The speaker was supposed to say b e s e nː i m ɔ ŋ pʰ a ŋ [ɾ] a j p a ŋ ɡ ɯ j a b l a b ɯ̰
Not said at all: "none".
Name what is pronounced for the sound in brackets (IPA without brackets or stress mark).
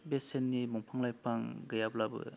l